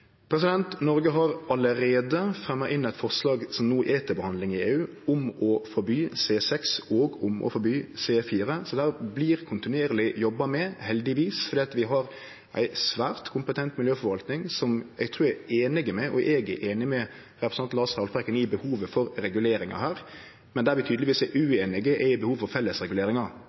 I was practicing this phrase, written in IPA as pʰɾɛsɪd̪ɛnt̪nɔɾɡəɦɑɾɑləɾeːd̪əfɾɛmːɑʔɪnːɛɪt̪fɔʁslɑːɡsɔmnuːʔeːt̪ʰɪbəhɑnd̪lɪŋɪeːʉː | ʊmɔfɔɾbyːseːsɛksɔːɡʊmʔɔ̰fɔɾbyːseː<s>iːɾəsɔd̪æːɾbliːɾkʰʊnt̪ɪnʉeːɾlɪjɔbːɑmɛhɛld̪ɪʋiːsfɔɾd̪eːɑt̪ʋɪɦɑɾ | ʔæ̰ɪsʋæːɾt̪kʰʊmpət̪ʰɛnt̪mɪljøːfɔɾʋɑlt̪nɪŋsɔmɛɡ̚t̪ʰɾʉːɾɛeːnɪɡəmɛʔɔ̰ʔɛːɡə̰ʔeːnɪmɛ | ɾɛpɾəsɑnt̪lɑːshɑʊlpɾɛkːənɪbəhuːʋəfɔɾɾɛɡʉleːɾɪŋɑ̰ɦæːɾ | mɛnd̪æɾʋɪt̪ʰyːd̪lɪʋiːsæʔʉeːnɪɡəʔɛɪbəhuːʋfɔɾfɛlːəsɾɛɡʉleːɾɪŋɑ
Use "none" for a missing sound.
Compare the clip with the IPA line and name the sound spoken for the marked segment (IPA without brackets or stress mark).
f